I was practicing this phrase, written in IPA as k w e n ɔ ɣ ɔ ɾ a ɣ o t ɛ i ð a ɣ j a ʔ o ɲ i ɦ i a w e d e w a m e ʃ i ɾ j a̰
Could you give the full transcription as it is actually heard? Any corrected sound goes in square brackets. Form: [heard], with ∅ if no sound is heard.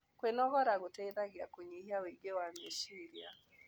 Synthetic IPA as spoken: k w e n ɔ ɣ ɔ ɾ a ɣ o t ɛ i ð a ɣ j a [k] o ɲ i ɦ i a w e [ɡ] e w a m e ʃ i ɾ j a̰